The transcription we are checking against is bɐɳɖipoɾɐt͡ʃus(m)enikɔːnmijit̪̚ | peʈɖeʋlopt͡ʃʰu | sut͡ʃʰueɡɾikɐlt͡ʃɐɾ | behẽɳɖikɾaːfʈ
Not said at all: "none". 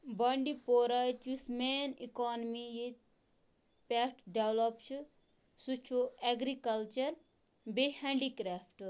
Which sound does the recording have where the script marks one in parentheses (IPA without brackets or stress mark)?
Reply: m